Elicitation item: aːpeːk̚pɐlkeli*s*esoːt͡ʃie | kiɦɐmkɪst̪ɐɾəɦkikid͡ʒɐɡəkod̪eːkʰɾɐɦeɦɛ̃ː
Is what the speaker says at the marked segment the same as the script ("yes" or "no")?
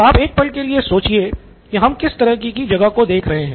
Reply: no